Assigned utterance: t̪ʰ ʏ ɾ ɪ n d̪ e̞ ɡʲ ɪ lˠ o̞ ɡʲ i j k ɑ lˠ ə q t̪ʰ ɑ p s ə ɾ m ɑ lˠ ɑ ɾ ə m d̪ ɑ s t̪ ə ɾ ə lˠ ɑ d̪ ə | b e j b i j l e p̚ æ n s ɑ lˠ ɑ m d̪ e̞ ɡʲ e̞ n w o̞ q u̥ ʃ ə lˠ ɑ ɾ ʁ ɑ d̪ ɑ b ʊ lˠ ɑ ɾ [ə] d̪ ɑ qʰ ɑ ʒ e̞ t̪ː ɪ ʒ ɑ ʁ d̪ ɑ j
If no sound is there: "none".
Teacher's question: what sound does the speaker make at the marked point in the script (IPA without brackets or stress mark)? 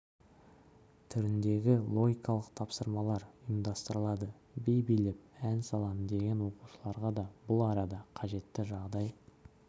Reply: ɑ